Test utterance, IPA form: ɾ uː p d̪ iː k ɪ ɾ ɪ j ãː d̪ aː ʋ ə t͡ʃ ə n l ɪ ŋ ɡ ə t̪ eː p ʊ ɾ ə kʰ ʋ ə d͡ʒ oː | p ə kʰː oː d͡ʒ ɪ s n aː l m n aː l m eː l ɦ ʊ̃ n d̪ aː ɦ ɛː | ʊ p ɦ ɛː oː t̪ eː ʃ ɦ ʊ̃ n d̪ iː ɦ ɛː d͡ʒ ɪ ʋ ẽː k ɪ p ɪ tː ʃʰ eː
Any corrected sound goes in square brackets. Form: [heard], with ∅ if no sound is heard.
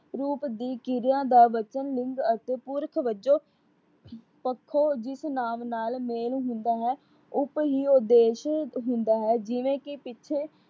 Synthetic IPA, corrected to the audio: ɾ uː p d̪ iː k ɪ ɾ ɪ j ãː d̪ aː ʋ ə t͡ʃ ə n l ɪ ŋ ɡ ə t̪ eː p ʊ ɾ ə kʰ ʋ ə d͡ʒ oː | p ə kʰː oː d͡ʒ ɪ s n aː [∅] m n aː l m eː l ɦ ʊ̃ n d̪ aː ɦ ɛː | ʊ p ɦ [iː] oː [d̪] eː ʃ ɦ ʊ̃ n d̪ [aː] ɦ ɛː d͡ʒ ɪ ʋ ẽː k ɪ p ɪ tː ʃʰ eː